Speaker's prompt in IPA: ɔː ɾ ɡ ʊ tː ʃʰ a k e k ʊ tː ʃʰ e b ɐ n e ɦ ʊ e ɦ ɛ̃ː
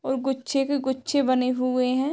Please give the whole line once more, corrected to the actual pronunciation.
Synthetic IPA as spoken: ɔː ɾ ɡ ʊ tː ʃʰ e k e ɡ ʊ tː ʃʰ e b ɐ n e ɦ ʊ e ɦ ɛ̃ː